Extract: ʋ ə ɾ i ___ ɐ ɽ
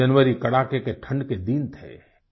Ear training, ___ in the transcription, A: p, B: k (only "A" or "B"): B